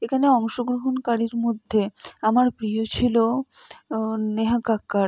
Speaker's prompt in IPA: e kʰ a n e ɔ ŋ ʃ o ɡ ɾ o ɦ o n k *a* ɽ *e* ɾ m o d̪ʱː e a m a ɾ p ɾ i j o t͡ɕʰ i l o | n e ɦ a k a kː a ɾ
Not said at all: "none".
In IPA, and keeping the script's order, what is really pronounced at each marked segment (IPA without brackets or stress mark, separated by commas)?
a, i